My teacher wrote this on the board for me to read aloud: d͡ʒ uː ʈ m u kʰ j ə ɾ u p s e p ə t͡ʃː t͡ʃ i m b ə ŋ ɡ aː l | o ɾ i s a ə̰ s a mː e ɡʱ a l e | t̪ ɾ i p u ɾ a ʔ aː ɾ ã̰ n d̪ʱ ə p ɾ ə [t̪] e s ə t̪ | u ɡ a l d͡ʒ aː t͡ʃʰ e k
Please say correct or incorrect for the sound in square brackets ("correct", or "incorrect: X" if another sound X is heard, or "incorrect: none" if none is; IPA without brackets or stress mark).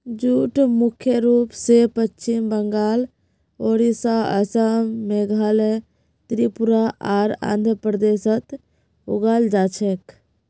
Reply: incorrect: d̪